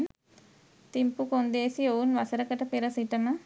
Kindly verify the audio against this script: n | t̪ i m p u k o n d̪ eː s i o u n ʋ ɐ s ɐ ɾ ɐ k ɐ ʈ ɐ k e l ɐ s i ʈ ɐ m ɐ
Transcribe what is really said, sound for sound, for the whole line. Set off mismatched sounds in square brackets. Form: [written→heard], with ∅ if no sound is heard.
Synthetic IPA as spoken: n | t̪ i m p u k o n d̪ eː s i o u n ʋ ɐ s ɐ ɾ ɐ k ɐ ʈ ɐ [k→p] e [l→ɾ] ɐ s i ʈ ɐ m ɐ